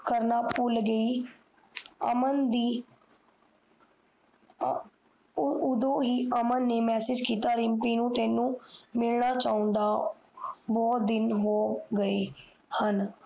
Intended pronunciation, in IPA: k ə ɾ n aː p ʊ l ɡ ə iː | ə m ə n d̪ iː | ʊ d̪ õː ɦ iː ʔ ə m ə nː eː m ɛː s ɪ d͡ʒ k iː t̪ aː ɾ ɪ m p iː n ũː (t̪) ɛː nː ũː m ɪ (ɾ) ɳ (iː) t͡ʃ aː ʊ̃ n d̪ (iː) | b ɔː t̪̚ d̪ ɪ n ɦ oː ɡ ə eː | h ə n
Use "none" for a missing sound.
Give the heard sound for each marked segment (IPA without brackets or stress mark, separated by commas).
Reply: t̪, l, aː, aː